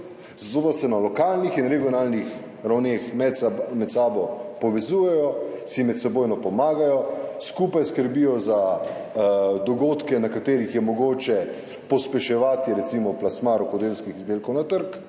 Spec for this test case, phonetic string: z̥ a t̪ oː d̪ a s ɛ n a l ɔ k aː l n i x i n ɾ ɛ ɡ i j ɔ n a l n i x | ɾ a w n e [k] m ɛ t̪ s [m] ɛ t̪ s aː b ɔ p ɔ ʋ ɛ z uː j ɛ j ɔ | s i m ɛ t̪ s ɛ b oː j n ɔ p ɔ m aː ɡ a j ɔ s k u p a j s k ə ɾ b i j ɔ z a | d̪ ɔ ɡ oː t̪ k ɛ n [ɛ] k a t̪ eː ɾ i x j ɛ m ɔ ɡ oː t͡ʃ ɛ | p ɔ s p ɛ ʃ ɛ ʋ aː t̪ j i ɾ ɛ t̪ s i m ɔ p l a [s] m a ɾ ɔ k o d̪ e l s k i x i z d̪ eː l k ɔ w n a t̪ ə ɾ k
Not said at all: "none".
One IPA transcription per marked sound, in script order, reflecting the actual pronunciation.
x, m, a, s

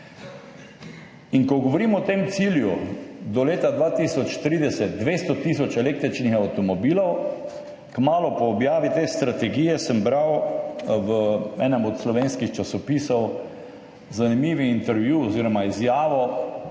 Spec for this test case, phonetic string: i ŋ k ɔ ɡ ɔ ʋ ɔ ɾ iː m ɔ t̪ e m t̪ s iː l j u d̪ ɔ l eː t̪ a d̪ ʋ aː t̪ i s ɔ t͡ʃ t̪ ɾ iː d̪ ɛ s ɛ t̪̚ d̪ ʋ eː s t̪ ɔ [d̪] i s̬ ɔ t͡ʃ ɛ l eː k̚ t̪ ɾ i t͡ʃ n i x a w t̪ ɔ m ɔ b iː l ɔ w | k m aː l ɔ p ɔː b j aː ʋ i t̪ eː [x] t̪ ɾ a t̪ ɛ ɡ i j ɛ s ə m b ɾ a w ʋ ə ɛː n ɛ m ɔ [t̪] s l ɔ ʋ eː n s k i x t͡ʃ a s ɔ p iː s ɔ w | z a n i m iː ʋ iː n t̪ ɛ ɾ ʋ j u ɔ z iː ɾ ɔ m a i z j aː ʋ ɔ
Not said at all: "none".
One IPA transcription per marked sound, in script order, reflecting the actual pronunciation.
t̪, s, t̪

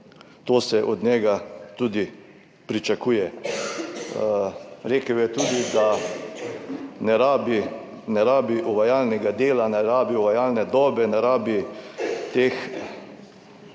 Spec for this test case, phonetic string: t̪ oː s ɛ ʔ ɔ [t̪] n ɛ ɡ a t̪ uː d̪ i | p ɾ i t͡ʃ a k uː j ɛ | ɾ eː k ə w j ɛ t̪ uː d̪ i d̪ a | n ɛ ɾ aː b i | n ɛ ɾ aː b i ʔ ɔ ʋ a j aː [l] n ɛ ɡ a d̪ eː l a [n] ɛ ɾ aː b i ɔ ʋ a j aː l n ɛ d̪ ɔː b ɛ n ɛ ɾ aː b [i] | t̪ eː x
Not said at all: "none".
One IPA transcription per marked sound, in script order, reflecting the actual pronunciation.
d̪, l, n, i

